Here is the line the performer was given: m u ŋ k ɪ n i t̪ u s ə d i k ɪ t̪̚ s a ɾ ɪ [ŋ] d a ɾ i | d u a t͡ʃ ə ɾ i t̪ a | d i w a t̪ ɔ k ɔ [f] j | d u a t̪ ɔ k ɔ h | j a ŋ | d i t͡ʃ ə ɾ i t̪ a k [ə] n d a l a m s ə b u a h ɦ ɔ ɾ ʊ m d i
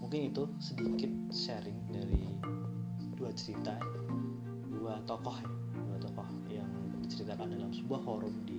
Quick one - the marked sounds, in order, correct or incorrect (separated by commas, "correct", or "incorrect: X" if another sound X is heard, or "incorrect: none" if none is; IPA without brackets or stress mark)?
correct, incorrect: h, incorrect: a